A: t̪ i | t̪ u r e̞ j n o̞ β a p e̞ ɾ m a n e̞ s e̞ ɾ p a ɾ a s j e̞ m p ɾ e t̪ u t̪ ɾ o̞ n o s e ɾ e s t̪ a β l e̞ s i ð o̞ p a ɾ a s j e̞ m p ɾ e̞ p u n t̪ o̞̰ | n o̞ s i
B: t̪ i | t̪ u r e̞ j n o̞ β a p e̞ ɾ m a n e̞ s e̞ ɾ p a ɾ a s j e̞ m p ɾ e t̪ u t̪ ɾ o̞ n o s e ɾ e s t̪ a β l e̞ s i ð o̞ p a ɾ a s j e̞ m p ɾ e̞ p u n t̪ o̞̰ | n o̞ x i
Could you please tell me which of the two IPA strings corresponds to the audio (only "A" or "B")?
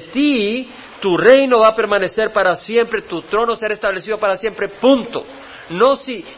A